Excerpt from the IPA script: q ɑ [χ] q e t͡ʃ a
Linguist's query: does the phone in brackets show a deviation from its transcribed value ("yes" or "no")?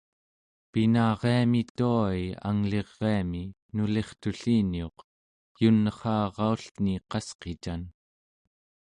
yes